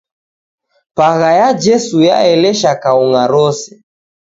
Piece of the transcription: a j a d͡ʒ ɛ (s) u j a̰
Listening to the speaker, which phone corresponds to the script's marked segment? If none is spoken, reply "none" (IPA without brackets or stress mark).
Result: s